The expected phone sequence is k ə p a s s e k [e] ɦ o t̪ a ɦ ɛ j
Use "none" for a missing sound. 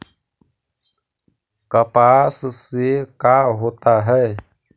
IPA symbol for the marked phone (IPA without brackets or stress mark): a